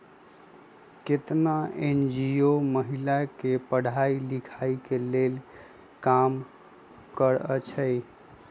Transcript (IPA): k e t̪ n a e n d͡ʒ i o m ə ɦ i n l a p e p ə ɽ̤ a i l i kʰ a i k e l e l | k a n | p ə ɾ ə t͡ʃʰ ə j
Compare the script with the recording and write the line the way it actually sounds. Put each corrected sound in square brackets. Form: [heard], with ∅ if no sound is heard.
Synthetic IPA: k e t̪ n a e n d͡ʒ i o m ə ɦ i [∅] l a [k] e p ə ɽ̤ a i l i kʰ a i k e l e l | k a [m] | [k] ə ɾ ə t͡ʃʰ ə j

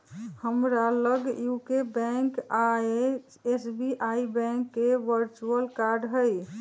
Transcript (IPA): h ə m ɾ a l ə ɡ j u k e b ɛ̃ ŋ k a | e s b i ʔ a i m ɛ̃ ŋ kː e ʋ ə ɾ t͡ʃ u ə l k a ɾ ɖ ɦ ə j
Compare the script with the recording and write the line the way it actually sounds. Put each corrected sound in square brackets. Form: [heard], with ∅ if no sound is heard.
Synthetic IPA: h ə m ɾ a l ə ɡ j u k e b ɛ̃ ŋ k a | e s b i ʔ a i [b] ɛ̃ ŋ kː e ʋ ə ɾ t͡ʃ u ə l k a ɾ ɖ ɦ ə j

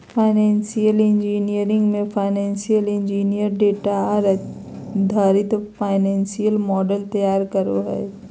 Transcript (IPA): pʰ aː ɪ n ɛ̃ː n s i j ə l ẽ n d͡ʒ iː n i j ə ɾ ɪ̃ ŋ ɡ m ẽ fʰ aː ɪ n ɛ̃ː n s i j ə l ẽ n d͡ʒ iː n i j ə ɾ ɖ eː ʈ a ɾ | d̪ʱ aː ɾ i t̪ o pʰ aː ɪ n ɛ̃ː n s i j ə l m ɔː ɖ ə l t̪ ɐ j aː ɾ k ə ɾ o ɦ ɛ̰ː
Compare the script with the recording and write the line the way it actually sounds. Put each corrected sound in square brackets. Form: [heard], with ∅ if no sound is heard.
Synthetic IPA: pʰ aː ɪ n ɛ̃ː n s i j ə l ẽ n d͡ʒ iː n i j ə ɾ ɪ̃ ŋ ɡ m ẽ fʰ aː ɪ n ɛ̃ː n s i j ə l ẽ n d͡ʒ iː n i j ə ɾ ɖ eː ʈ a ɾ | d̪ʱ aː ɾ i t̪ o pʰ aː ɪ n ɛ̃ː n s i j ə l m ɔː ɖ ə l t̪ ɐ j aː ɾ k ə ɾ o ɦ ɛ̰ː

